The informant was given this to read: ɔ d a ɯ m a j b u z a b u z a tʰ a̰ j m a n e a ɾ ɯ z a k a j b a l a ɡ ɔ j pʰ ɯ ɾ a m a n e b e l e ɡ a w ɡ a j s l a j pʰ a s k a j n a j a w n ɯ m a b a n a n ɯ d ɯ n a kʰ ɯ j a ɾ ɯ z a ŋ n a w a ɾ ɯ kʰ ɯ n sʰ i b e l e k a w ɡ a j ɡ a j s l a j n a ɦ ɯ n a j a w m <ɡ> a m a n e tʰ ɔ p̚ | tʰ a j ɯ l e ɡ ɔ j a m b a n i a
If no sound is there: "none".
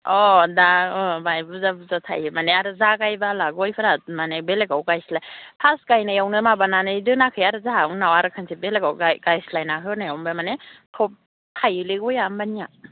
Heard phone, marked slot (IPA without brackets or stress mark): b